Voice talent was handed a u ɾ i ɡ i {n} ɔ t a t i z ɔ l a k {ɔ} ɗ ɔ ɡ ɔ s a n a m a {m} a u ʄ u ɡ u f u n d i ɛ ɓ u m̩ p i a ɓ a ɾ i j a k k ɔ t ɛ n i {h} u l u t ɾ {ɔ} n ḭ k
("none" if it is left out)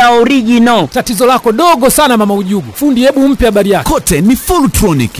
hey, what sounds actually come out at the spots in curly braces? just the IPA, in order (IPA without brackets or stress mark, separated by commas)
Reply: n, ɔ, m, f, ɔ